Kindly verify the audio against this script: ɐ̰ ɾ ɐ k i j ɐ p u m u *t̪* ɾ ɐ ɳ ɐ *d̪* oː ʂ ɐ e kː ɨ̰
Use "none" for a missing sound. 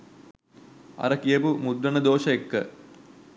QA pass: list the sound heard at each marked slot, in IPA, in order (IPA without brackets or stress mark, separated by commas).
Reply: d̪, d̪